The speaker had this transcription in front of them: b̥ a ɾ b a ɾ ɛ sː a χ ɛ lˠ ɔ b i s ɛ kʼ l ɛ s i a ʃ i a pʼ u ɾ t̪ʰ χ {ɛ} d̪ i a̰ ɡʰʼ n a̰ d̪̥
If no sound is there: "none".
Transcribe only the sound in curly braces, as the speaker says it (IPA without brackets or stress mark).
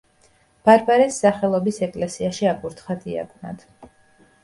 a